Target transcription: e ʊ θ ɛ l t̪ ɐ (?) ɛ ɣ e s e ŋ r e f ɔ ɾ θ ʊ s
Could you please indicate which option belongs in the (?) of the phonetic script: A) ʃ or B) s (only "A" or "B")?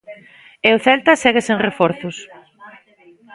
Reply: B